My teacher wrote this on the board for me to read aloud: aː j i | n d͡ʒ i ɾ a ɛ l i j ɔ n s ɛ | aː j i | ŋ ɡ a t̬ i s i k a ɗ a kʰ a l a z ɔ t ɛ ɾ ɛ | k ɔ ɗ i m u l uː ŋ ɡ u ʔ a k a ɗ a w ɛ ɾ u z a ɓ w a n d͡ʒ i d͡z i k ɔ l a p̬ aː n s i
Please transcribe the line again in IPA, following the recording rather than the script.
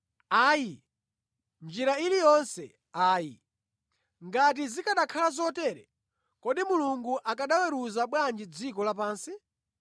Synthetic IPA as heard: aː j i | n d͡ʒ i ɾ a i l i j ɔ n s ɛ | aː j i | ŋ ɡ a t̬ i z i k a ɗ a kʰ a l a z ɔ t ɛ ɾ ɛ | k ɔ ɗ i m u l u ŋ ɡ u ʔ a k a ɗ a w ɛ ɾ u z a ɓ w a n d͡ʒ i d͡z i k ɔ l a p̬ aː n s i